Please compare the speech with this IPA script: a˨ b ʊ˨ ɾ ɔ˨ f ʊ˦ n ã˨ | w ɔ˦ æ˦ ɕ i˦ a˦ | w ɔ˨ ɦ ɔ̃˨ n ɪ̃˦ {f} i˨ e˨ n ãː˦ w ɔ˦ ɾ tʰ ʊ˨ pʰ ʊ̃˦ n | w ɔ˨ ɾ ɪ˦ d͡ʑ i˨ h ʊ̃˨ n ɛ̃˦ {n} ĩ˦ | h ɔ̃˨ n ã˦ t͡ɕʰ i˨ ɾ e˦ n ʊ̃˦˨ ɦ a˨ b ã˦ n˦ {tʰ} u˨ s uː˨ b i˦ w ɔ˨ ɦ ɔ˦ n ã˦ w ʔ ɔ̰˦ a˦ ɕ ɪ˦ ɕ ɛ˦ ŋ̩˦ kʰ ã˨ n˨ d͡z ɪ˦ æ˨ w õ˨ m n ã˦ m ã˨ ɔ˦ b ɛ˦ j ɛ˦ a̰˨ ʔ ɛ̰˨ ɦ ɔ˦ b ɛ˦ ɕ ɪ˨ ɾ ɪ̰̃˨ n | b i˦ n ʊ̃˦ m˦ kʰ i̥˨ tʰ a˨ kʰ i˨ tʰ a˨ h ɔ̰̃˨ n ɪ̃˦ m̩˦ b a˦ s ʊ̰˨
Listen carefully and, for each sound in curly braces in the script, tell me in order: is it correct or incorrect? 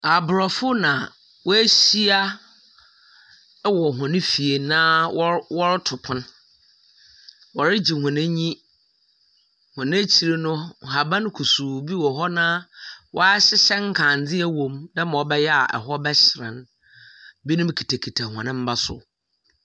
correct, incorrect: ɲ, incorrect: kʰ

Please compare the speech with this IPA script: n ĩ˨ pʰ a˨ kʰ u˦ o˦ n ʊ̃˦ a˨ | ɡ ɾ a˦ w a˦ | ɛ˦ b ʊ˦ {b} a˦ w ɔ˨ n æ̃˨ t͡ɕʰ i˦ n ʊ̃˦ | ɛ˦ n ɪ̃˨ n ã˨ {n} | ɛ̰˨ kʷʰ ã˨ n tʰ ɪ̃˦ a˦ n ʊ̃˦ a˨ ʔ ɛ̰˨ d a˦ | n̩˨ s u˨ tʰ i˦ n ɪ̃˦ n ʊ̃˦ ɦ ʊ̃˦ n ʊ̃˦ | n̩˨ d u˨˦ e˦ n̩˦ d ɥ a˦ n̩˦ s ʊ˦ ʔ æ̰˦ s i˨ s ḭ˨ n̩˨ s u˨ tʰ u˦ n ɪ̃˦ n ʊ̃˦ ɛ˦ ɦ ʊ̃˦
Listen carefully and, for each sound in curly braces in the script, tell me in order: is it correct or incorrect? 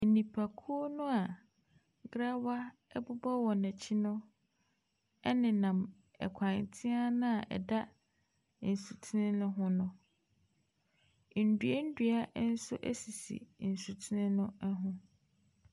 correct, incorrect: m

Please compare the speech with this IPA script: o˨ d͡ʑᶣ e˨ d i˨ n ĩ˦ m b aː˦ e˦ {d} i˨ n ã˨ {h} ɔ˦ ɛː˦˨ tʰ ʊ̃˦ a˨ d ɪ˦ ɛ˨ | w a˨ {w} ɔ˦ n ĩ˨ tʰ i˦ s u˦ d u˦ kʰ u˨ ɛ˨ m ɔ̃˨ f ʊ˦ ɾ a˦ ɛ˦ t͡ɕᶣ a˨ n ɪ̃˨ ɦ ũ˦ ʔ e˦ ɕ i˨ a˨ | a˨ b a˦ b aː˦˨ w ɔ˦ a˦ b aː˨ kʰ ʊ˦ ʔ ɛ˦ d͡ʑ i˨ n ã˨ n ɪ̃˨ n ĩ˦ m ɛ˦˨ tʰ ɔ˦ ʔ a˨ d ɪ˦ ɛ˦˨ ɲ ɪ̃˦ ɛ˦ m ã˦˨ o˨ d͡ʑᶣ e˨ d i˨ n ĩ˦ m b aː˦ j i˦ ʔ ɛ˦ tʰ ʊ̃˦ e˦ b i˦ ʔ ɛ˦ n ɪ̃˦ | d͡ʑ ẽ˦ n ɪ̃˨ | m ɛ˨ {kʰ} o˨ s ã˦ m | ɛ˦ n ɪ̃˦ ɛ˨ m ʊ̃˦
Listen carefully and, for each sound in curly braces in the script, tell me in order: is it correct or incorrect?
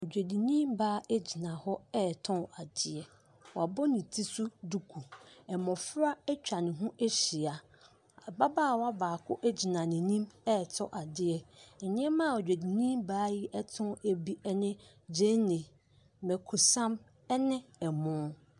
incorrect: d͡ʑ, correct, incorrect: b, correct

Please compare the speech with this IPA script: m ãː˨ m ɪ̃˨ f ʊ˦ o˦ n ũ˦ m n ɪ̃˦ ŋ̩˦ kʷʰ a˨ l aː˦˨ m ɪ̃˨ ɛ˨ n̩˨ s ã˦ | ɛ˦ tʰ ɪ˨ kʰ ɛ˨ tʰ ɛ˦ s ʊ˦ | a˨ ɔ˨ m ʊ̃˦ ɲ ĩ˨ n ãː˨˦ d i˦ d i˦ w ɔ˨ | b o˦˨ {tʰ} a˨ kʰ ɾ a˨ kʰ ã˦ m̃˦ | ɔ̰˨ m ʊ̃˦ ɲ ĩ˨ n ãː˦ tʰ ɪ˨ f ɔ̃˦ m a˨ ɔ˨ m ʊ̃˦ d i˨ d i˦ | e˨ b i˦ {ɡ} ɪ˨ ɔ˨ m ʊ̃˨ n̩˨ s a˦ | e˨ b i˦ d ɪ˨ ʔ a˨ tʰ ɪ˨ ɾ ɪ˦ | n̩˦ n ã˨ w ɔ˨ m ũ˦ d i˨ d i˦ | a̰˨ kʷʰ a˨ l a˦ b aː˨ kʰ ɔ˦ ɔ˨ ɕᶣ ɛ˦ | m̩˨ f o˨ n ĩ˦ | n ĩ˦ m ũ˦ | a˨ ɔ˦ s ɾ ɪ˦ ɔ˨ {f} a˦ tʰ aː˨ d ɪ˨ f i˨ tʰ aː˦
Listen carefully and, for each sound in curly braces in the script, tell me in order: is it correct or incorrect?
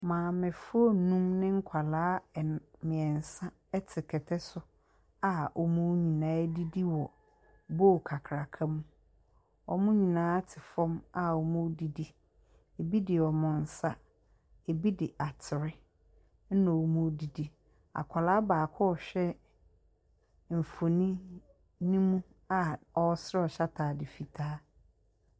incorrect: kʰ, incorrect: d, incorrect: ɕ

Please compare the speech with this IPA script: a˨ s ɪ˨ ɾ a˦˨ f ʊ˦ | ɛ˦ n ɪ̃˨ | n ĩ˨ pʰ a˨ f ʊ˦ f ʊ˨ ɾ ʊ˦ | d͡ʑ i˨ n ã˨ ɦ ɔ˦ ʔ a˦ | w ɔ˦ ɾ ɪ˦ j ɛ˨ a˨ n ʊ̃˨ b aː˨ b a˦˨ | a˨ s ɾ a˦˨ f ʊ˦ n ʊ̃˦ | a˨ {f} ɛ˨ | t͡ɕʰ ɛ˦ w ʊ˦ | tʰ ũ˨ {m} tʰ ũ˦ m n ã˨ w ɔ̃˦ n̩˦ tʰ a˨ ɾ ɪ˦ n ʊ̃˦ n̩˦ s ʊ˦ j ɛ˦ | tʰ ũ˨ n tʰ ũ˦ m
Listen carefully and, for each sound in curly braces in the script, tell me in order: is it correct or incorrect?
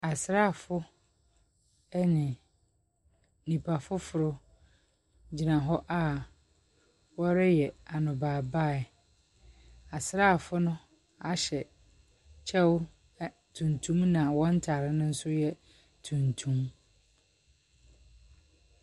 incorrect: ɕ, incorrect: n

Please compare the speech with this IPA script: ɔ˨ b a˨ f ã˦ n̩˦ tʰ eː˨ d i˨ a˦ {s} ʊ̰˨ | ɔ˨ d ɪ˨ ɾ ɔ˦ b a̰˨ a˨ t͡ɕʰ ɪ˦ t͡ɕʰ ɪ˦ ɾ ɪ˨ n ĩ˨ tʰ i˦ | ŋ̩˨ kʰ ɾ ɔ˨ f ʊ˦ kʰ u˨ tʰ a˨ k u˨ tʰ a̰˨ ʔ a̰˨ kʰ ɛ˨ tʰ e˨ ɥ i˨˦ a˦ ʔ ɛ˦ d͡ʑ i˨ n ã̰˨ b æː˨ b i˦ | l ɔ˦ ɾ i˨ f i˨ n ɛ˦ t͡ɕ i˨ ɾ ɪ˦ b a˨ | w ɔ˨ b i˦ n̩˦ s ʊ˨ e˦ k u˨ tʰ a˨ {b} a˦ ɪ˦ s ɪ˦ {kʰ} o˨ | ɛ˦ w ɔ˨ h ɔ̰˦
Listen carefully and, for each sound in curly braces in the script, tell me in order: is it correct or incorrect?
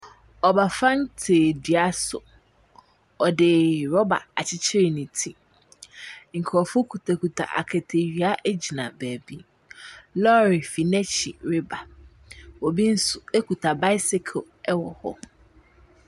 correct, correct, correct

